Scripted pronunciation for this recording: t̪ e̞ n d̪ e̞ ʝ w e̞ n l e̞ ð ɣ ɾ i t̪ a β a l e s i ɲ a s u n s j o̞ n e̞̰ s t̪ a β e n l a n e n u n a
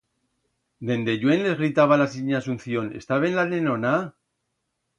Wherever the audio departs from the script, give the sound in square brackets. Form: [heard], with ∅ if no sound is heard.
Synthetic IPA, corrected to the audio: [d̪] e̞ n d̪ e̞ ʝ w e̞ n l e̞ [z] ɣ ɾ i t̪ a β a l [a] s i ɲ a s u n [θ] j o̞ n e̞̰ s t̪ a β e n l a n e n [o] n a